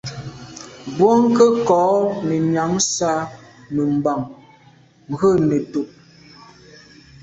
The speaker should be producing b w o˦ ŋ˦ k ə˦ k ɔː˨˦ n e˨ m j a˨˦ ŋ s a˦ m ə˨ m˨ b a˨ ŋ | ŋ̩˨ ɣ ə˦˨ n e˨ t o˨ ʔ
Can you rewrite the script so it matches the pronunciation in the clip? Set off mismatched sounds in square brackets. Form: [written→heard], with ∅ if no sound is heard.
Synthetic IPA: b w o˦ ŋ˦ k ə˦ k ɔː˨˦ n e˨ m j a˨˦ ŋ s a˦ m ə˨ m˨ b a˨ ŋ | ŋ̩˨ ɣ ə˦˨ n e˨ t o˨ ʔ